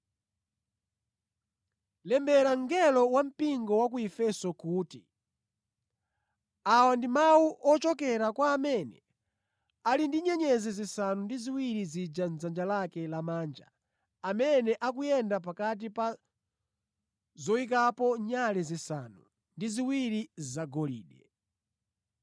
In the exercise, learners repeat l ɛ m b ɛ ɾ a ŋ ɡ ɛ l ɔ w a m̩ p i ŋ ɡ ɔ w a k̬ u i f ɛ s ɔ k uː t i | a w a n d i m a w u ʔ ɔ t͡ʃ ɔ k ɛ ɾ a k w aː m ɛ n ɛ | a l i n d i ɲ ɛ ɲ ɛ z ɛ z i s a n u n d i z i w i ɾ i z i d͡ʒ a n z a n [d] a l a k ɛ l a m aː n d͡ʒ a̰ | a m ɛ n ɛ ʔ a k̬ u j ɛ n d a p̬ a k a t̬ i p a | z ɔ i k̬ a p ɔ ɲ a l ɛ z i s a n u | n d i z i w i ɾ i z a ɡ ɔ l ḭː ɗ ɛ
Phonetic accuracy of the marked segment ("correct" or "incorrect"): incorrect